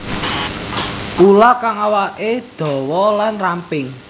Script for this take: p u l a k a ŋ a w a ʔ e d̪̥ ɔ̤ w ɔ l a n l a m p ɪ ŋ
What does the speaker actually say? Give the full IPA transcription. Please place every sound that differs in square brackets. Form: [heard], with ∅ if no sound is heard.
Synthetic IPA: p u l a k a ŋ a w a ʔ e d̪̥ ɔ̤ w ɔ l a n [r] a m p ɪ ŋ